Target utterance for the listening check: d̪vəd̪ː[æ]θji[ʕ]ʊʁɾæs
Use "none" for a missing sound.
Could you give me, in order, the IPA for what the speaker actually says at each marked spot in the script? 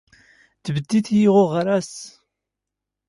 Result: i, ʁ

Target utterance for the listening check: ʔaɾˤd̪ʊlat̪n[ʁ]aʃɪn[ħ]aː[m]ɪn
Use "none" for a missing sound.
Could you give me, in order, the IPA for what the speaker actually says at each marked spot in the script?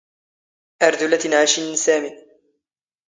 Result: ʕ, s, m

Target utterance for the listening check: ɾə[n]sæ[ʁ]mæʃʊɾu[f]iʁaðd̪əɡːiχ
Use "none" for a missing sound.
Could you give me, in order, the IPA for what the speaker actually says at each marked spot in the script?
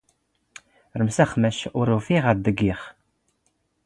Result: m, χ, f

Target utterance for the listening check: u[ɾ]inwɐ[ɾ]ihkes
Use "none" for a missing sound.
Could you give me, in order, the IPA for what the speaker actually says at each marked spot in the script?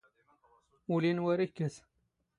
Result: l, ɾ

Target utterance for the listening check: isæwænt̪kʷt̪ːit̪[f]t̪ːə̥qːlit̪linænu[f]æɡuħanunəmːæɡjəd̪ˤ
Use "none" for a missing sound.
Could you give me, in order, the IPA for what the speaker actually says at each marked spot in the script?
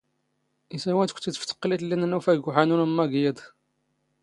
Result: f, f

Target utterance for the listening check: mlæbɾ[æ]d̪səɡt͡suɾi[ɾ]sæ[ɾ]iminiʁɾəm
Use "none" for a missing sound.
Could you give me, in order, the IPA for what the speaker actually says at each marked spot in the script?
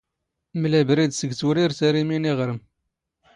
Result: i, ɾ, ɾ

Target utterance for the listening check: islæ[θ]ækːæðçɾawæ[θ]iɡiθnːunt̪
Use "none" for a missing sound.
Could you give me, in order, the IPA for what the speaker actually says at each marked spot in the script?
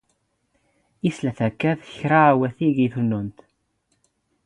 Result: θ, θ

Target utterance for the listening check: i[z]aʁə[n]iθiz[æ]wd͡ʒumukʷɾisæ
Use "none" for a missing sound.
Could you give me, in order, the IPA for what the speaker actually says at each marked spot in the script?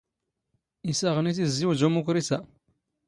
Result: s, n, i

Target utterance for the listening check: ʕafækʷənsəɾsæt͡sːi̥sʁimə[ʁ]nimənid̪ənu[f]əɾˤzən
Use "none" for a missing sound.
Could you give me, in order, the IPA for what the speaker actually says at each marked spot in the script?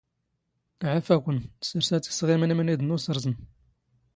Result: none, s

